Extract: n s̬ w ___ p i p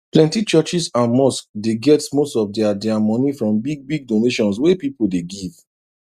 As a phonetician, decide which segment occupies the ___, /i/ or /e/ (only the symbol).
e